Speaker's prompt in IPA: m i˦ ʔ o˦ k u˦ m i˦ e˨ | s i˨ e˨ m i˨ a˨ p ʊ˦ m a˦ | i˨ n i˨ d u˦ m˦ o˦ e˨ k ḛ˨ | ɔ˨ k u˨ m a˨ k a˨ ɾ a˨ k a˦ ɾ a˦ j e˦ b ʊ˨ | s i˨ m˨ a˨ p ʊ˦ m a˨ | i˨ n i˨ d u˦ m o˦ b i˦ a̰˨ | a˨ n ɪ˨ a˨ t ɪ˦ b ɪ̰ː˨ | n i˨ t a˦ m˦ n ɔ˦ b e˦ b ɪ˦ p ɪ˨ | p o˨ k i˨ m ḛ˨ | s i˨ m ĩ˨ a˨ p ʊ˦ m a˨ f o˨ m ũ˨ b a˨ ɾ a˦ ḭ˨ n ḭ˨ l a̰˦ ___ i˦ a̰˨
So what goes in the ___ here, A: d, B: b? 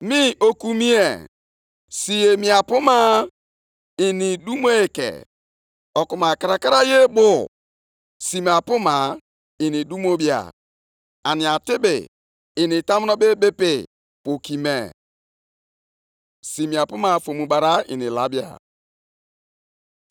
B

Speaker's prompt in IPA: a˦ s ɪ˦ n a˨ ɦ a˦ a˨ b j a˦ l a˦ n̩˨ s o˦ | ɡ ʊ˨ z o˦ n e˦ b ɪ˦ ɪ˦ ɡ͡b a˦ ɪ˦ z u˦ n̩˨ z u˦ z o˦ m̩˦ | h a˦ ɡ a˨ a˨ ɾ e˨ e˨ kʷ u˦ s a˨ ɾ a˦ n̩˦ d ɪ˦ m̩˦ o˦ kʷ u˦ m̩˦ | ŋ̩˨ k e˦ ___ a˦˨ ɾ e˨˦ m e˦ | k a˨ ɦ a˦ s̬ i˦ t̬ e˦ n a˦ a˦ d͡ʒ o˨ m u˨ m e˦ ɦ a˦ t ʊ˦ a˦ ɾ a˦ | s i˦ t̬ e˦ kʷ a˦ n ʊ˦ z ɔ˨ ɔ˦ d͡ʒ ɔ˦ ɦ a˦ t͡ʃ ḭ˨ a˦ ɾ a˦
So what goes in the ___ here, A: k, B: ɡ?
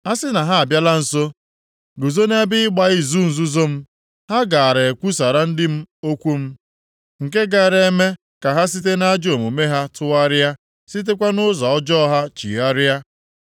B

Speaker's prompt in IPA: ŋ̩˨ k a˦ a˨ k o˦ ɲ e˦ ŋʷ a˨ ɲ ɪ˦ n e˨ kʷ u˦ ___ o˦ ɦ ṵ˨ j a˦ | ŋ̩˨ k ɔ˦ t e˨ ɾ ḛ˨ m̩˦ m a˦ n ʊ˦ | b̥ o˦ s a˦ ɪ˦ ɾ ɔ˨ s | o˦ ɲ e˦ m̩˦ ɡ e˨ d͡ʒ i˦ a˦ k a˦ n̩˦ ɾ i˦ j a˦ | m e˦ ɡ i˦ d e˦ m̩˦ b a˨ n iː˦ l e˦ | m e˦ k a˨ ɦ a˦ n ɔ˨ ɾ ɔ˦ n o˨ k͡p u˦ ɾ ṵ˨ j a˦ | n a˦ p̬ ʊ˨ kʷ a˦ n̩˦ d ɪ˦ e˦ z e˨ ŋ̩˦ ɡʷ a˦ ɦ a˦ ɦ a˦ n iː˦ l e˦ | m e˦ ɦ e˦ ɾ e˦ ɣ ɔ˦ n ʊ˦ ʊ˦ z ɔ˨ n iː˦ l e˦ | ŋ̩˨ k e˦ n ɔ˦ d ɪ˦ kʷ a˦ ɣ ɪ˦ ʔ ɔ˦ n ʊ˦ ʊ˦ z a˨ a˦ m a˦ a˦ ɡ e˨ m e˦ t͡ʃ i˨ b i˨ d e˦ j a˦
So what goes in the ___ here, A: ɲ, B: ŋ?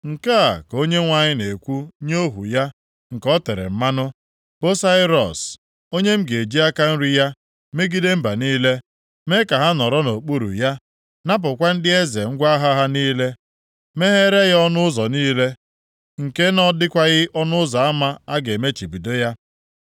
A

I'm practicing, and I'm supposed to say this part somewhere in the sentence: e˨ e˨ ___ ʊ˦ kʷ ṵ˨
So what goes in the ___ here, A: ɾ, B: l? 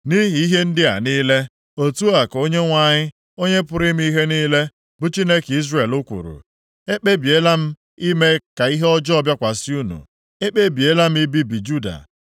B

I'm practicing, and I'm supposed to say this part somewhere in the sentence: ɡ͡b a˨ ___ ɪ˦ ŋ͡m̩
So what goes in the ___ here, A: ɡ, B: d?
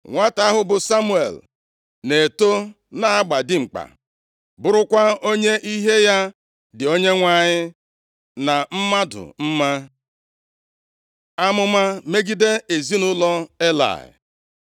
B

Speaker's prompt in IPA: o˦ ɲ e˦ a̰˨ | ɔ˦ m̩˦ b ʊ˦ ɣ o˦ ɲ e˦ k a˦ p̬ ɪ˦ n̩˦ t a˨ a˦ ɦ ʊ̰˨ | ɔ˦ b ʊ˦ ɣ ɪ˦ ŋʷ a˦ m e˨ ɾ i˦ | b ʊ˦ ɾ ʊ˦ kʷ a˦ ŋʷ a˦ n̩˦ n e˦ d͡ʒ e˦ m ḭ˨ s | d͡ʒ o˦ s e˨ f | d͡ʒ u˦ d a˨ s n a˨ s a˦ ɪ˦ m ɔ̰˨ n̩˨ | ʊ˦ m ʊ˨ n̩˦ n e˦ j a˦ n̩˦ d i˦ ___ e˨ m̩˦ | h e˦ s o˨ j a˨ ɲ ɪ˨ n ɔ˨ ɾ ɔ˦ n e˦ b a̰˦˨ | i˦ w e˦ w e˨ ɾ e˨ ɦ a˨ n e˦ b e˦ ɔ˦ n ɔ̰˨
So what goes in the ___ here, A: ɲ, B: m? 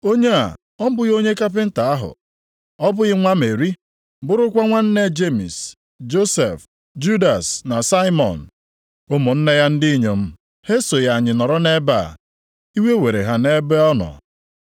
A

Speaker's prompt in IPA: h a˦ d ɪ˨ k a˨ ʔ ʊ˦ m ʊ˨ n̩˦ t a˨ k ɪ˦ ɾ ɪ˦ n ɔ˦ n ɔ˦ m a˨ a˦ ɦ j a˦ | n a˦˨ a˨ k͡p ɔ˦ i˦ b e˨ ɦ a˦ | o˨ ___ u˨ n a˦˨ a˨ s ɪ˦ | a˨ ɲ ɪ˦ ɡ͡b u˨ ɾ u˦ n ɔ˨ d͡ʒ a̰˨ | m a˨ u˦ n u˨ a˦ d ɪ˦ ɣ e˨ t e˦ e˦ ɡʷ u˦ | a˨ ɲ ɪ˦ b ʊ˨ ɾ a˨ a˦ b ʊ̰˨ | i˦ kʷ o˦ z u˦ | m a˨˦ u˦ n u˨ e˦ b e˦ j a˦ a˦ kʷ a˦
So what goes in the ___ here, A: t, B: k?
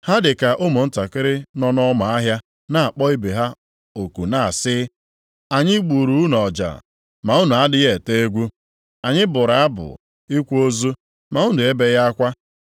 B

